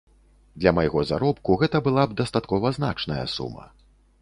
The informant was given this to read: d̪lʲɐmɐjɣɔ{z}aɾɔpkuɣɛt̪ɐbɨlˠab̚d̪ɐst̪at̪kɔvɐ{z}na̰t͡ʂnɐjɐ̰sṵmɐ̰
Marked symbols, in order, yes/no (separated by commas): yes, yes